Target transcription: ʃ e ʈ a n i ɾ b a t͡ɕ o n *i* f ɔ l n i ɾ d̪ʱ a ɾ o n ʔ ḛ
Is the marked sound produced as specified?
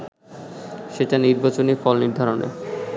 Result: yes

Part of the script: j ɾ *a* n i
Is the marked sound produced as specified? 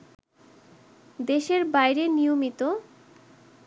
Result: no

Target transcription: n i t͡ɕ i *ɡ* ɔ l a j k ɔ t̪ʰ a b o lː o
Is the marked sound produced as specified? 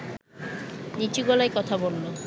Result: yes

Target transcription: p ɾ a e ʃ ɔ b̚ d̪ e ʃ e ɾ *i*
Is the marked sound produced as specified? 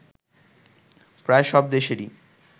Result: yes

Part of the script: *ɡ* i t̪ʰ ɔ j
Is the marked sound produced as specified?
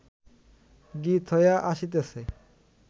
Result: yes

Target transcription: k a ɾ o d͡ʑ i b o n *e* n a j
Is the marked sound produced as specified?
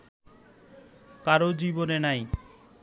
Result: yes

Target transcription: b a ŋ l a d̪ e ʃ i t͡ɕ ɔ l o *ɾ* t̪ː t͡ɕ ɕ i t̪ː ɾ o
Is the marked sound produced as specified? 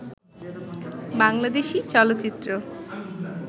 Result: no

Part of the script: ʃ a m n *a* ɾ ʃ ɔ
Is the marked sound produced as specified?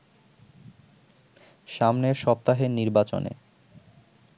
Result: no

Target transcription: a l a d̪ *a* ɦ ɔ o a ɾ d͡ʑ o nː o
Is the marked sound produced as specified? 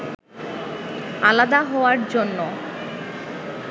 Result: yes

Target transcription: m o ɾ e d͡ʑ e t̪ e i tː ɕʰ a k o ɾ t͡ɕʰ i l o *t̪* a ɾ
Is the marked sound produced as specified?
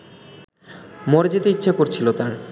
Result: yes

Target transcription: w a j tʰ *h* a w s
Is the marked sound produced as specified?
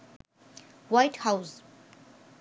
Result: yes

